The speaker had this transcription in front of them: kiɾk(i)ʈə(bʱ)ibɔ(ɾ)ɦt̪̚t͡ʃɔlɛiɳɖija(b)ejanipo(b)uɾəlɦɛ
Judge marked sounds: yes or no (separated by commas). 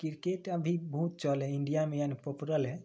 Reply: no, yes, no, no, no